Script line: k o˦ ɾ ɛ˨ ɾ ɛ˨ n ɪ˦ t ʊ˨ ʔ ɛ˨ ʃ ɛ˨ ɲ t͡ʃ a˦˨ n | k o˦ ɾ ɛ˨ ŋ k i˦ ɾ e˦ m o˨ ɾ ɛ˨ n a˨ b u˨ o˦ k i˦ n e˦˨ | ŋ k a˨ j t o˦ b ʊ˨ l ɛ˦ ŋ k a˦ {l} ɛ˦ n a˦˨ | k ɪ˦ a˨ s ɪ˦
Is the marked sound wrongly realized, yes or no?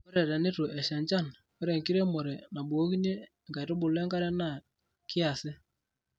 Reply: yes